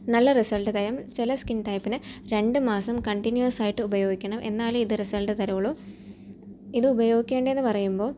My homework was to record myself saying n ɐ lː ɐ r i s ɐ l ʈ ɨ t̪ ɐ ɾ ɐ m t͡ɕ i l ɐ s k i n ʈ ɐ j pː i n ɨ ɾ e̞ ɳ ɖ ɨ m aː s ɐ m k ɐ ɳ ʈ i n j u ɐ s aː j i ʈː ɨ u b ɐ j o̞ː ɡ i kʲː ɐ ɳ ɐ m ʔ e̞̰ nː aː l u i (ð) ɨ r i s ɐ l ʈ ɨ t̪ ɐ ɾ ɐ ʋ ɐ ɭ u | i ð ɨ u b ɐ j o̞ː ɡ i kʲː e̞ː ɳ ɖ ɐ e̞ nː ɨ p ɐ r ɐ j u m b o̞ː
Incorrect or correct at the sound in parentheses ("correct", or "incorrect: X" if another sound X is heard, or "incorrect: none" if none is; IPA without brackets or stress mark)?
correct